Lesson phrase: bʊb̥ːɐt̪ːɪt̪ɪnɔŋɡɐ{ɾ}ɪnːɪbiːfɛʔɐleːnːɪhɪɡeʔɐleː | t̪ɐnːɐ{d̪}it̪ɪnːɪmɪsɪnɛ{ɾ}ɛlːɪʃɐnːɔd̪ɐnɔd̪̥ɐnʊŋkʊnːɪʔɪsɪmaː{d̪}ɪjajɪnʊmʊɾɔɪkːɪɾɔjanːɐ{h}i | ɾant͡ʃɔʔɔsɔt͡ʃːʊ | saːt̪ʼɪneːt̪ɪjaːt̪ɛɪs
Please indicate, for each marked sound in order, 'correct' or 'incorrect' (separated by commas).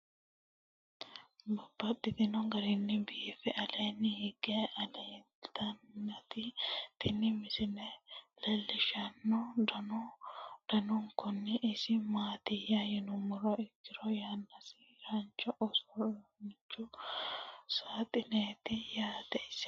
correct, incorrect, incorrect, incorrect, incorrect